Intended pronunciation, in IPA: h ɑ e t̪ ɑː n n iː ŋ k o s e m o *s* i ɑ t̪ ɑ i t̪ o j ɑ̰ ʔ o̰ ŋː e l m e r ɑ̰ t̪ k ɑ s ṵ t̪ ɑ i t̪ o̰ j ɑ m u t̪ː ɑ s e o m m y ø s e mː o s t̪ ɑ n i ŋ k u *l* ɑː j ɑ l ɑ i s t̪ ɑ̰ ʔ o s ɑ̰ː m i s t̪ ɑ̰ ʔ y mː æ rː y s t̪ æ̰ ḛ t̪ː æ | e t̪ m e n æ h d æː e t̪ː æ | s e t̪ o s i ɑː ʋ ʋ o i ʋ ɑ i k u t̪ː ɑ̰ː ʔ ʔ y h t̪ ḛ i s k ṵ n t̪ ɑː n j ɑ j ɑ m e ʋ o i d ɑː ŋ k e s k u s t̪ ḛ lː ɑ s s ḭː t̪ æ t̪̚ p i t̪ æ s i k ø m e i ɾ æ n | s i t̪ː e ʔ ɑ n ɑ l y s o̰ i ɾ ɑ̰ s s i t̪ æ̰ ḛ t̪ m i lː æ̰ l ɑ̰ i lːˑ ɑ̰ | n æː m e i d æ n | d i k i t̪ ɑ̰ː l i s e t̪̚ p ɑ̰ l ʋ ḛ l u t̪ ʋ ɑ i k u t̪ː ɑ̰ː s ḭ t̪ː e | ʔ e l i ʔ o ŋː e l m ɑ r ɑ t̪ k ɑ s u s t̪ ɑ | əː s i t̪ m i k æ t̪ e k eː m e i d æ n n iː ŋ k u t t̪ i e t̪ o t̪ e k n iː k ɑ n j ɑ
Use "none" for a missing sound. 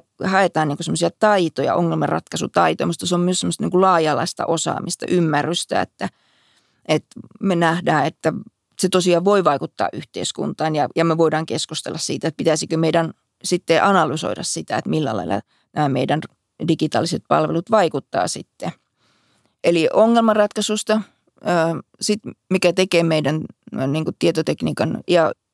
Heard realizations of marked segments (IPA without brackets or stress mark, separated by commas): s, l